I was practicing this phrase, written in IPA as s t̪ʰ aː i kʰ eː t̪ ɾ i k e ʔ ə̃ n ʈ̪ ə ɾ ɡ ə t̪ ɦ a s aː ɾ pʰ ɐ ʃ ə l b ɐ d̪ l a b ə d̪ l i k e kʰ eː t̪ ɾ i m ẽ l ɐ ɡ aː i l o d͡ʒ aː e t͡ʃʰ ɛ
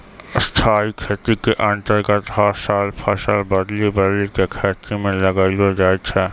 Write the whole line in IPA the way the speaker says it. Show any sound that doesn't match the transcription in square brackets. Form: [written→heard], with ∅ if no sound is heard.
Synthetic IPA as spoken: s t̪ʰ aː i kʰ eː t̪ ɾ i k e ʔ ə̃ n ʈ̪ ə ɾ ɡ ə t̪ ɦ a s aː [ɾ→l] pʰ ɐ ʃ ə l b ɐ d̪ l [a→i] b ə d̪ l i k e kʰ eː t̪ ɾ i m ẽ l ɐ ɡ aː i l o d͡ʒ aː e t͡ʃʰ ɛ